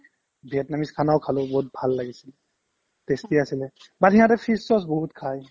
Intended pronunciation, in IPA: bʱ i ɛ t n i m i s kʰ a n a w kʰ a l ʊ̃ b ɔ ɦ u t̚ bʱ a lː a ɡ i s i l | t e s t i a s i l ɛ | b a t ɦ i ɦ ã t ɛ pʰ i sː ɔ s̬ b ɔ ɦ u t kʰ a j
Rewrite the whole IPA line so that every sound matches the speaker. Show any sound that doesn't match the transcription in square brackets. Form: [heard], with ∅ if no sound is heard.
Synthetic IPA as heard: bʱ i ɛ t n [a] m i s kʰ a n a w kʰ a l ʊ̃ b ɔ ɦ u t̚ bʱ a lː a ɡ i s i l | t e s t i a s i l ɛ | b a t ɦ i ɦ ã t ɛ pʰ i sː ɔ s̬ b ɔ ɦ u t kʰ a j